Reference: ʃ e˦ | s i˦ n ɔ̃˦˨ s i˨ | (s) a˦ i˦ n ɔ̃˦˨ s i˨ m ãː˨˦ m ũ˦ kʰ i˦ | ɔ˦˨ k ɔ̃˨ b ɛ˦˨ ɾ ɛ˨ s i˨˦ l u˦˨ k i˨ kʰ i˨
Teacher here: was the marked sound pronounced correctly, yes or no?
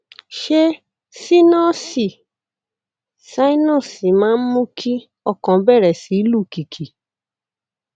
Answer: yes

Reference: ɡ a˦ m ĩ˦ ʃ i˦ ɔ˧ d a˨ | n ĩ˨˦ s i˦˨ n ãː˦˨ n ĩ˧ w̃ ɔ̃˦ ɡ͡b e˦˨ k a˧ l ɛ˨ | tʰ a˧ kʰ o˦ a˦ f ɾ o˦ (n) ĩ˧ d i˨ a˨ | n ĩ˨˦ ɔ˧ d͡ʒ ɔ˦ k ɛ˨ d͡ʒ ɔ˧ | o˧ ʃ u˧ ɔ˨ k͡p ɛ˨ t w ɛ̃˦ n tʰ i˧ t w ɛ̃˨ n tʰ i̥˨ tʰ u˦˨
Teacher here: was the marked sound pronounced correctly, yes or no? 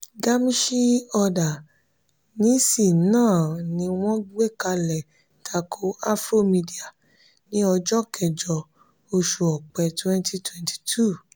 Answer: no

